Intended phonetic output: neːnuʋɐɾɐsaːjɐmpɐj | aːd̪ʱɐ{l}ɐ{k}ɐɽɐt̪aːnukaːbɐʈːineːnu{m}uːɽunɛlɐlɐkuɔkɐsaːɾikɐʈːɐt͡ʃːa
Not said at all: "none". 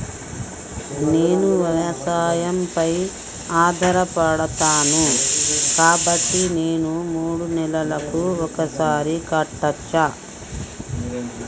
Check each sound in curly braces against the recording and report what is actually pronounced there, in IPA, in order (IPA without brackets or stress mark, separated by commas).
ɾ, p, m